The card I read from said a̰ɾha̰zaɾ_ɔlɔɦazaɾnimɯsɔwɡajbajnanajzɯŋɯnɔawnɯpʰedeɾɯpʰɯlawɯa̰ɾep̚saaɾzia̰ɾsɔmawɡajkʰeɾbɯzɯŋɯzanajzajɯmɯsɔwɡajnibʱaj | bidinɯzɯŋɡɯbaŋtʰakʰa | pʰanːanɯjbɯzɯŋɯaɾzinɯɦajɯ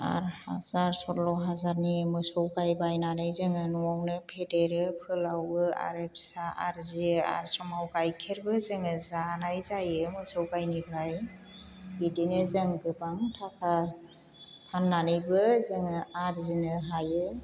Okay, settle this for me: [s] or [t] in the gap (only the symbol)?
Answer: s